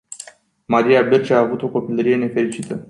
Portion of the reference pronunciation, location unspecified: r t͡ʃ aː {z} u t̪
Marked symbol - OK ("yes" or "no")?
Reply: no